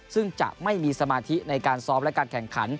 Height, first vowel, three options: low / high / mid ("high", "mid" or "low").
high